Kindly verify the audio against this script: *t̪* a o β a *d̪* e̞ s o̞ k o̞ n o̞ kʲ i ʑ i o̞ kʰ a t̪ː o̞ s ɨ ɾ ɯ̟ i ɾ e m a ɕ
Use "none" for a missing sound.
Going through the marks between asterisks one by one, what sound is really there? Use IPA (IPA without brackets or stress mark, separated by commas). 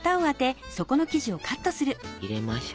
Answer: t̪, t̪